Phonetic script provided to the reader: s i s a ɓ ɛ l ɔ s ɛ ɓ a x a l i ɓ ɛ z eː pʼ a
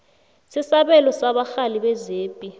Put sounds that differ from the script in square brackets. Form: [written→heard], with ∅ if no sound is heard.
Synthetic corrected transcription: s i s a ɓ ɛ l ɔ s [ɛ→a] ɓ a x a l i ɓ ɛ z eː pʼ [a→i]